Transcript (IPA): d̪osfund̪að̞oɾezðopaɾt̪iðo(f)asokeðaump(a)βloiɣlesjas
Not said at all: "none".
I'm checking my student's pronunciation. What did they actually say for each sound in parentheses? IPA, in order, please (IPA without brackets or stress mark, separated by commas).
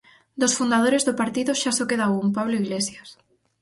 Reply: ʃ, a